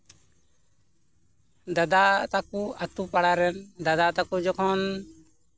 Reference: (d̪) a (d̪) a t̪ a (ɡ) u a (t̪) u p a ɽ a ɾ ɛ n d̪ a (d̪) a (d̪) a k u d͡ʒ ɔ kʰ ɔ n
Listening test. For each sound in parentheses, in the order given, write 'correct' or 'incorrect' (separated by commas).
correct, correct, incorrect, correct, correct, incorrect